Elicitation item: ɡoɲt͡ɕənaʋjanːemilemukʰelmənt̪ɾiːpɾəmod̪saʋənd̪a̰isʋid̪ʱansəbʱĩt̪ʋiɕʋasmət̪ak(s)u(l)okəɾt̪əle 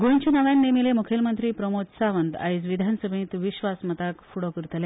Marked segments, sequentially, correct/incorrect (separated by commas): incorrect, incorrect